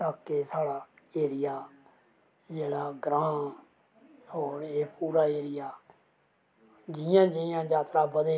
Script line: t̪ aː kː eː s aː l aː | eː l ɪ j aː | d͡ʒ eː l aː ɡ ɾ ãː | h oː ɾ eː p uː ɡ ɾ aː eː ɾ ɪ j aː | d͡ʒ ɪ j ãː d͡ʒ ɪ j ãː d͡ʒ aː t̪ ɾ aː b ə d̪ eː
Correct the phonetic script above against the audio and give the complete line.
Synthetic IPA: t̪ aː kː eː s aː ɽ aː | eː ɾ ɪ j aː | d͡ʒ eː ɽ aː ɡ ɾ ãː | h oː ɾ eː p uː ɾ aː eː ɾ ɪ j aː | d͡ʒ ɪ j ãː d͡ʒ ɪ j ãː d͡ʒ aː t̪ ɾ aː b ə d̪ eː